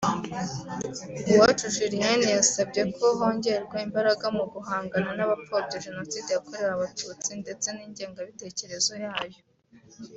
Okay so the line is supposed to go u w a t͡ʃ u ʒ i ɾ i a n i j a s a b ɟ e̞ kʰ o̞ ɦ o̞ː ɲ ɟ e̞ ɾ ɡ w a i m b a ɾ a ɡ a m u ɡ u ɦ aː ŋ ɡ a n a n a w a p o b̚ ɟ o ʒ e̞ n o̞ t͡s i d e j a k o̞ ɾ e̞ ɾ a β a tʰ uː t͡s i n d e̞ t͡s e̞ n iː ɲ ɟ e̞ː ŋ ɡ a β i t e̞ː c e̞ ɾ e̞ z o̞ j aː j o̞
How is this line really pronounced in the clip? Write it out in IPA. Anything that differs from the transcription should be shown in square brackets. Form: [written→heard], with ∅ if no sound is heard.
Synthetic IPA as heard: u w a t͡ʃ u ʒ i ɾ i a n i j a s a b ɟ e̞ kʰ o̞ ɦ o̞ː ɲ ɟ e̞ ɾ ɡ w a i m b a ɾ a ɡ a m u ɡ u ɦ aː ŋ ɡ a n a n a [w→β] a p o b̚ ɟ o ʒ e̞ n o̞ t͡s i d e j a k o̞ ɾ e̞ ɾ a β a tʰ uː t͡s i n d e̞ t͡s e̞ n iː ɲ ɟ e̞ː ŋ ɡ a β i t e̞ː c e̞ ɾ e̞ z o̞ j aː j o̞